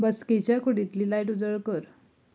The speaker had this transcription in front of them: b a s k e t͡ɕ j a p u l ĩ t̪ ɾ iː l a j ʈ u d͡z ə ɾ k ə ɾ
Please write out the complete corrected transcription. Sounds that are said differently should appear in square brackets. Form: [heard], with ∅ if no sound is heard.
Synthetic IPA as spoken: b [ə] s k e t͡ɕ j a [k] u [ɽ] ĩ t̪ [l] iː l a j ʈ u d͡z ə [ɭ] k ə ɾ